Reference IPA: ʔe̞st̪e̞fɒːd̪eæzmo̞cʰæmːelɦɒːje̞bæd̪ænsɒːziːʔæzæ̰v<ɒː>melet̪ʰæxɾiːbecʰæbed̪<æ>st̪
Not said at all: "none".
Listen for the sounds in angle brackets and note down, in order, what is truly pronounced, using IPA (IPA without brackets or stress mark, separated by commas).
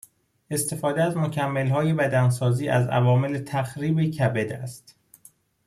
ɒː, æ